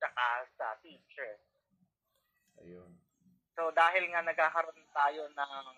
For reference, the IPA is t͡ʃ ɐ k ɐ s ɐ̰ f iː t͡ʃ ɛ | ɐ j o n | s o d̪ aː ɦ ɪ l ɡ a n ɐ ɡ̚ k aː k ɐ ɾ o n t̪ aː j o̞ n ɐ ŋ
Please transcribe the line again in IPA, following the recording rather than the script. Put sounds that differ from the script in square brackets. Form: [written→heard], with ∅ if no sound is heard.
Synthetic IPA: t͡ʃ ɐ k [ɐ→a] s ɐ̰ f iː t͡ʃ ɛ | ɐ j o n | s o d̪ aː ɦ ɪ l [ɡ→ŋ] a n ɐ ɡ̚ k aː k ɐ ɾ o n t̪ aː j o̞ n ɐ ŋ